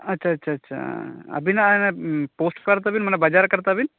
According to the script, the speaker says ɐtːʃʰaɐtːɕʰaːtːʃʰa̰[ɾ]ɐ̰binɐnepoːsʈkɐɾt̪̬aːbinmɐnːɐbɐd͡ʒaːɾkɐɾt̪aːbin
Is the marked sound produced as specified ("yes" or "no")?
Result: no